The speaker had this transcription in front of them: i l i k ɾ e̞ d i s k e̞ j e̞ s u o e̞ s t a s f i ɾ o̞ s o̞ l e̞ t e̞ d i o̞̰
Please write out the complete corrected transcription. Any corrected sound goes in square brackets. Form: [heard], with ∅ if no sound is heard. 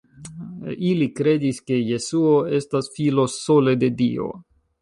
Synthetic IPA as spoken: i l i k ɾ e̞ d i s k e̞ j e̞ s u o e̞ s t a s f i [l] o̞ s o̞ l e̞ [d] e̞ d i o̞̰